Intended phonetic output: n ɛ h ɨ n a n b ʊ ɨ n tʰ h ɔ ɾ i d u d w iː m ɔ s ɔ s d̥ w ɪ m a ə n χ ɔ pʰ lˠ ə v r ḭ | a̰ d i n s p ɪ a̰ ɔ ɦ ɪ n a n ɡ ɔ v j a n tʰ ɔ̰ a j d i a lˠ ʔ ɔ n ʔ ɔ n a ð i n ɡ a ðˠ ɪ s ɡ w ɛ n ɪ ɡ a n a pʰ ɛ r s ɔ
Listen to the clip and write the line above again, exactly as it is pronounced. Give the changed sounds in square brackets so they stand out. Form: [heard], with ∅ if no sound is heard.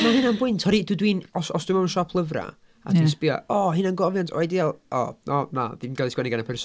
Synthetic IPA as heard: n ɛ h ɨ n a n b ʊ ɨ n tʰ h ɔ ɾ i d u d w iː [n] ɔ s ɔ s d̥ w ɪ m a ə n [ʃ] ɔ pʰ lˠ ə v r [a̰] | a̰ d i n s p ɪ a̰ ɔ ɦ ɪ n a n ɡ ɔ v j a n tʰ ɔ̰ a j d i a lˠ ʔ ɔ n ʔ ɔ n a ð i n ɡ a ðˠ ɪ s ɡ w ɛ n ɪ ɡ a n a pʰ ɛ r s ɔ